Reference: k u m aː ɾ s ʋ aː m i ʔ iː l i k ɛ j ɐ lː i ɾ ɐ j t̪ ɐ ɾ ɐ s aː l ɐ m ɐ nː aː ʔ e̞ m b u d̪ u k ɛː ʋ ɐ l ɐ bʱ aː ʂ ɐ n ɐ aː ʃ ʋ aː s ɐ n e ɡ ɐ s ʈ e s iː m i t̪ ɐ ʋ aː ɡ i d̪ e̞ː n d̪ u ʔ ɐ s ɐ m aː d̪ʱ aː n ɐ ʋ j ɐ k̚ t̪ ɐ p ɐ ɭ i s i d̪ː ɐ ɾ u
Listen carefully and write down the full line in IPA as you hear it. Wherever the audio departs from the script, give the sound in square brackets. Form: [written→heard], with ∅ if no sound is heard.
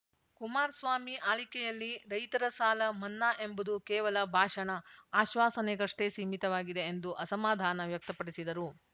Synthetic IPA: k u m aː ɾ s ʋ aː m i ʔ [iː→aː] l i k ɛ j ɐ lː i ɾ ɐ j t̪ ɐ ɾ ɐ s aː l ɐ m ɐ nː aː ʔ e̞ m b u d̪ u k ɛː ʋ ɐ l ɐ bʱ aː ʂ ɐ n ɐ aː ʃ ʋ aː s ɐ n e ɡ ɐ [s→ʂ] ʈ e s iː m i t̪ ɐ ʋ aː ɡ i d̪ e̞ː n d̪ u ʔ ɐ s ɐ m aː d̪ʱ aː n ɐ ʋ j ɐ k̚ t̪ ɐ p ɐ [ɭ→ɽ] i s i [d̪ː→d̪] ɐ ɾ u